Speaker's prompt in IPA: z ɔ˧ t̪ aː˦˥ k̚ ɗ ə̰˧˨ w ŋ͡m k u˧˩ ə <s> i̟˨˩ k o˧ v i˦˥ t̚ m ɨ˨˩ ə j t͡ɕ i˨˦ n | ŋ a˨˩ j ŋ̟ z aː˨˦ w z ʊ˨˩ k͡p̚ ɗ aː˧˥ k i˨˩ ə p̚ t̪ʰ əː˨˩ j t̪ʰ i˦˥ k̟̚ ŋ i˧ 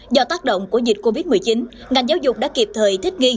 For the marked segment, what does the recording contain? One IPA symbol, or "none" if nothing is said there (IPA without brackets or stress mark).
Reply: z